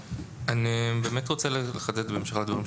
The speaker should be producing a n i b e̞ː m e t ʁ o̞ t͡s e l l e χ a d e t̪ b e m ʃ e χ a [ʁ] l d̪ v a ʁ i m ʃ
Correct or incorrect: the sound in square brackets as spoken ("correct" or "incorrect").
incorrect